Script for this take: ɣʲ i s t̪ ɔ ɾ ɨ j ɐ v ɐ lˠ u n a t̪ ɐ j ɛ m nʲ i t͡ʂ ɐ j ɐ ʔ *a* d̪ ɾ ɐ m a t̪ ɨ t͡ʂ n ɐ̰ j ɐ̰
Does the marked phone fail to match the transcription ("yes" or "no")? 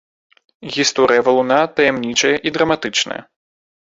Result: yes